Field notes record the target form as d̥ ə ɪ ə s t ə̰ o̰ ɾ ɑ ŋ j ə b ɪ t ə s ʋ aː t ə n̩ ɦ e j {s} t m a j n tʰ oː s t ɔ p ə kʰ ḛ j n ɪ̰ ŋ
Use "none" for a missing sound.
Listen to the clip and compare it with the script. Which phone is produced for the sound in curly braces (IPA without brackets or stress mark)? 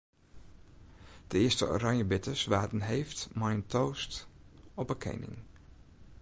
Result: f